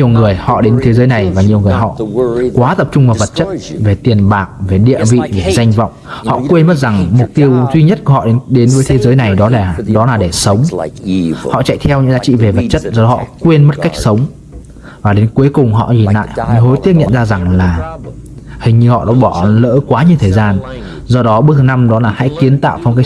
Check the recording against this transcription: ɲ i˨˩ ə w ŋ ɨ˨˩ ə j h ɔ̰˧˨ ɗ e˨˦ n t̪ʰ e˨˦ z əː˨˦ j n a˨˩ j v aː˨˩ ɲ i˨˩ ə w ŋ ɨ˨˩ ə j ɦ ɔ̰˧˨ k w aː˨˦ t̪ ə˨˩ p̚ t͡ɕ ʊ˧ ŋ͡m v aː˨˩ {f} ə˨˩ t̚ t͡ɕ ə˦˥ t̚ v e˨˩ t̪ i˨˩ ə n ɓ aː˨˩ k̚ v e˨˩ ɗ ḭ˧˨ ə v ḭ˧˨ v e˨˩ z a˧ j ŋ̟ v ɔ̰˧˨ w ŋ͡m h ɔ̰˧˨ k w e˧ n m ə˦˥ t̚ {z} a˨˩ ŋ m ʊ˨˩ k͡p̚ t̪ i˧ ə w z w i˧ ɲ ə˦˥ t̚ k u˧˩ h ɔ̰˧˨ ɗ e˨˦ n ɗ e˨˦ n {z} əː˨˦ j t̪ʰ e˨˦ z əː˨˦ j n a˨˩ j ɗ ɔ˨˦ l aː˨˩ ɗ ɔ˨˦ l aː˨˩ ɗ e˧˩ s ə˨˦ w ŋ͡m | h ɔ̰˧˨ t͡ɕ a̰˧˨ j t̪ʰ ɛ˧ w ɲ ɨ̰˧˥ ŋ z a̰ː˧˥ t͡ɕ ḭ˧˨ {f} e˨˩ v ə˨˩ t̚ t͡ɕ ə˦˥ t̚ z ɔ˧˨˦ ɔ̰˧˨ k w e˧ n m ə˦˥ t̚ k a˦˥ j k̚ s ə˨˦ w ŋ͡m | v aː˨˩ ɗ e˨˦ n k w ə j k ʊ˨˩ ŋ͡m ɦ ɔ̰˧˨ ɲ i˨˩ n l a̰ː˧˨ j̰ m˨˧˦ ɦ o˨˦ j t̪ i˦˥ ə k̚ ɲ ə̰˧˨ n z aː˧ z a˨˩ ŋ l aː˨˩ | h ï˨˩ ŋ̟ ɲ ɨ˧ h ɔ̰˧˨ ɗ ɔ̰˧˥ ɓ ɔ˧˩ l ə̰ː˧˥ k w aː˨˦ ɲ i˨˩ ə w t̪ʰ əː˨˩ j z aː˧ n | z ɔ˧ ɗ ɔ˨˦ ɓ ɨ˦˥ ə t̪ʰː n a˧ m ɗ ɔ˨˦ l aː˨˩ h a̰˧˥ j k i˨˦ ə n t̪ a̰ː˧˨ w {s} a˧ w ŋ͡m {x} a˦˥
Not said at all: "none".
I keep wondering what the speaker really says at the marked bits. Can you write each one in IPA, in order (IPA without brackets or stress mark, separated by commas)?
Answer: v, z, v, v, f, k